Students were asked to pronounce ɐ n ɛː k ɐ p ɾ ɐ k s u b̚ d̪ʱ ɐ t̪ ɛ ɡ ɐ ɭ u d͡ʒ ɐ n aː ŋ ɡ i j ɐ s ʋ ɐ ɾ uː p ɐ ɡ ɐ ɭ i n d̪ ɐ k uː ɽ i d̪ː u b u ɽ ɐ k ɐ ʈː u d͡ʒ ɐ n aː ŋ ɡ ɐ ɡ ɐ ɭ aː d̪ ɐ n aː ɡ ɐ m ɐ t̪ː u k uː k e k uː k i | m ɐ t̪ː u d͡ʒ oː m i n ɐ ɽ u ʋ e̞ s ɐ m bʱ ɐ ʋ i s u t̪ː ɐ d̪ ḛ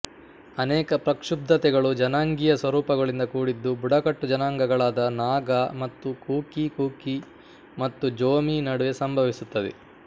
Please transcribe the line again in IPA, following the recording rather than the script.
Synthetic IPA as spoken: ɐ n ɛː k ɐ p ɾ ɐ k ʂ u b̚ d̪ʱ ɐ t̪ ɛ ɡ ɐ ɭ u d͡ʒ ɐ n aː ŋ ɡ i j ɐ s ʋ ɐ ɾ uː p ɐ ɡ ɐ ɭ i n d̪ ɐ k uː ɽ i d̪ː u b u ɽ ɐ k ɐ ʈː u d͡ʒ ɐ n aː ŋ ɡ ɐ ɡ ɐ ɭ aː d̪ ɐ n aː ɡ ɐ m ɐ t̪ː u k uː k i k uː k i | m ɐ t̪ː u d͡ʒ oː m i n ɐ ɽ u ʋ e̞ s ɐ m bʱ ɐ ʋ i s u t̪ː ɐ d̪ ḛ